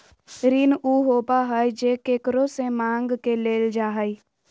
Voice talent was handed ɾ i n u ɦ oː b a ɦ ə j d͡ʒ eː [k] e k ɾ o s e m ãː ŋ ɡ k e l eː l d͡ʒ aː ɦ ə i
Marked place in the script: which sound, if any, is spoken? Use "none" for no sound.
k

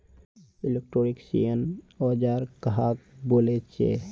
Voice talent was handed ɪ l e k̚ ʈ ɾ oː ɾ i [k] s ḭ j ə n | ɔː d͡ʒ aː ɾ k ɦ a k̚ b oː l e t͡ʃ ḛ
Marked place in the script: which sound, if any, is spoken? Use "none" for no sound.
k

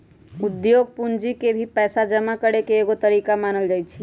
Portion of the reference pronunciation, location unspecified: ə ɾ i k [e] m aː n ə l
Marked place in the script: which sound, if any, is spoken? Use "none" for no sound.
a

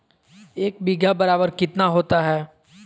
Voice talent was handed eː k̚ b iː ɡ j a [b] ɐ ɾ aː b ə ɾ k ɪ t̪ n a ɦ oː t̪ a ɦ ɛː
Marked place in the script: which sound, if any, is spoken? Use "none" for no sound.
b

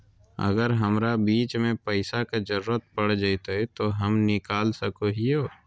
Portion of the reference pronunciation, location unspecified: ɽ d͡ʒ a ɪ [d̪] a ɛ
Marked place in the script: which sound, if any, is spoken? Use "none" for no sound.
t̪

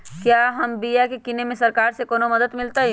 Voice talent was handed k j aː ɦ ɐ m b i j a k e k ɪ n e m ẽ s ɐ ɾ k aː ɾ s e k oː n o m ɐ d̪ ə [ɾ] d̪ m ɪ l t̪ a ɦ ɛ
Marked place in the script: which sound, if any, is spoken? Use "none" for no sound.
none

